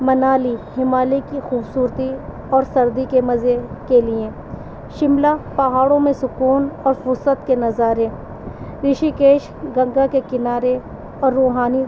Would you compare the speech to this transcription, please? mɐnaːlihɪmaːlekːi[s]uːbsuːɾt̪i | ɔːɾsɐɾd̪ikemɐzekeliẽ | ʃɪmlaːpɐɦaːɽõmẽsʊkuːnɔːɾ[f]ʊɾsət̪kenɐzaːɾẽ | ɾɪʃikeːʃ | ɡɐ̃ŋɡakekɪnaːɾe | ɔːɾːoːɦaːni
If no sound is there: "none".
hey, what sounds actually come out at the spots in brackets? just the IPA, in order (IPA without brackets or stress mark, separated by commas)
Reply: x, f